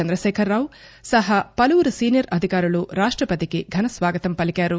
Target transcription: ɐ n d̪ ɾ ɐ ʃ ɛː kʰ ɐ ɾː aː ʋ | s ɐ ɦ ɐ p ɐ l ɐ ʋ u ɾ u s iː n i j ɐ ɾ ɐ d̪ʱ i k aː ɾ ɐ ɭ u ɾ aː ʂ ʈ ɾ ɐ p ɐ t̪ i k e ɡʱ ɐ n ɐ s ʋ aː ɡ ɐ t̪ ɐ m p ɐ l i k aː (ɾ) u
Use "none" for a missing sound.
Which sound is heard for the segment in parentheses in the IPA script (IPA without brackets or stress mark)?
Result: ɾ